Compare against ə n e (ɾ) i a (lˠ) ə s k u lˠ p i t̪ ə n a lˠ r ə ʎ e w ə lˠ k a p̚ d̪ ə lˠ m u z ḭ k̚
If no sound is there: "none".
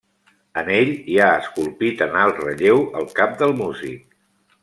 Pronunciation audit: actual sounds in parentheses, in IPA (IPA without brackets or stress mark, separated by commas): ʎ, none